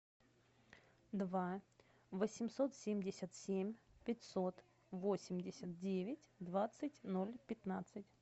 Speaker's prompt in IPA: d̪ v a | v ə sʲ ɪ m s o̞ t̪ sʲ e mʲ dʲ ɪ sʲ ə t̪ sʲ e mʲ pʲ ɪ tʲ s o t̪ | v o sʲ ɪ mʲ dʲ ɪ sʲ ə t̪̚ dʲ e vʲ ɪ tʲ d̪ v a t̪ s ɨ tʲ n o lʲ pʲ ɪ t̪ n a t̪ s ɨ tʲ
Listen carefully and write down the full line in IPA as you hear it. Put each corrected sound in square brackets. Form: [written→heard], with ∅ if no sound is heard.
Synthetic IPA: d̪ v a | v ə sʲ ɪ m s o̞ t̪ sʲ e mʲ dʲ ɪ sʲ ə t̪ sʲ e mʲ pʲ ɪ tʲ s o t̪ | v o sʲ ɪ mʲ dʲ ɪ sʲ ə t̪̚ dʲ e vʲ ɪ tʲ d̪ v a t̪ s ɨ tʲ n o lʲ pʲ ɪ t̪ n a t̪ s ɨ tʲ